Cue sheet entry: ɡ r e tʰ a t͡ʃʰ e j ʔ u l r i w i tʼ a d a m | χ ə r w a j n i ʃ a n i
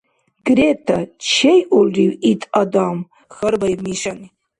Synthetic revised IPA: ɡ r e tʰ a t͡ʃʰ e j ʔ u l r i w i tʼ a d a m | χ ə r b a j m i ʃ a n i